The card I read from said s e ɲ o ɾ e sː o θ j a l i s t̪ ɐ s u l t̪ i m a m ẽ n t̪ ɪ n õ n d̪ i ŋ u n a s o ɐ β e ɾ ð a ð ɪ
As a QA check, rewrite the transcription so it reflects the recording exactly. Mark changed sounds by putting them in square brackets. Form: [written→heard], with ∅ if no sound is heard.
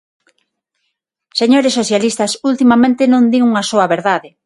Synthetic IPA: s e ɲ o ɾ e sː o θ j a l i s t̪ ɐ s u l t̪ i m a m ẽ n t̪ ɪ n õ n d̪ i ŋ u [n→ŋ] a s o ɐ β e ɾ ð a ð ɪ